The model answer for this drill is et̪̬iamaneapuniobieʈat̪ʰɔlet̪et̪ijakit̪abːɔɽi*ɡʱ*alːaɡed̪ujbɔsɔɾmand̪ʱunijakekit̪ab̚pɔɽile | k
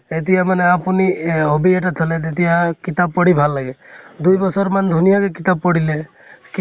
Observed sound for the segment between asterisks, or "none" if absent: bʱ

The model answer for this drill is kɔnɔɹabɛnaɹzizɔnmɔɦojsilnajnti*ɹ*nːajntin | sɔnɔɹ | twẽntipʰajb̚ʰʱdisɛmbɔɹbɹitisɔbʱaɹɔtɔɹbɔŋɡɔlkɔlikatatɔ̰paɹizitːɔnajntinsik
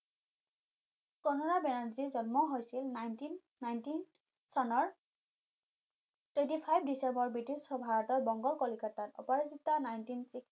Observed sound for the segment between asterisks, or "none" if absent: none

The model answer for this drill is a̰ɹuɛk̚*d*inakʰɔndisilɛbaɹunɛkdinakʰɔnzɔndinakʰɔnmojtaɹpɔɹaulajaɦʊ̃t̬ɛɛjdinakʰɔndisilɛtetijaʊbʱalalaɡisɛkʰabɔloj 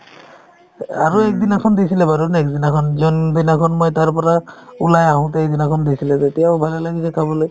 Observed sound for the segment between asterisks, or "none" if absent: d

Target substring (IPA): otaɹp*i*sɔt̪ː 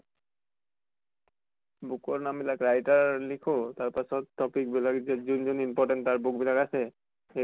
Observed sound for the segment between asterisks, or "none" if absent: a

